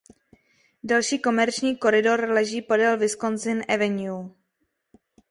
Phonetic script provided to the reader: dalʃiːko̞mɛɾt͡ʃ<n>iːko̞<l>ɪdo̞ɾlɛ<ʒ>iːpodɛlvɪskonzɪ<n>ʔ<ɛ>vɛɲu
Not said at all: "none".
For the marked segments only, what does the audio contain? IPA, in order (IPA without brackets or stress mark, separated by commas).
ɲ, ɾ, ʒ, n, ɛ